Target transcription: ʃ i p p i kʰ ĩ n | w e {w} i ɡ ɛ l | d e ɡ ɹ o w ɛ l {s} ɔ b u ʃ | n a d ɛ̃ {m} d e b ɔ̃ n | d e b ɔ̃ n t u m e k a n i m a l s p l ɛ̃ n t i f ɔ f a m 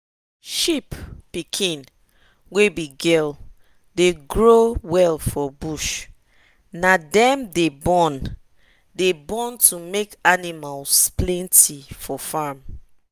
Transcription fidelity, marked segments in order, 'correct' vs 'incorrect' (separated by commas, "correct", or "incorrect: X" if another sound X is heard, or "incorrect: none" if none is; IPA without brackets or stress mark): incorrect: b, incorrect: f, correct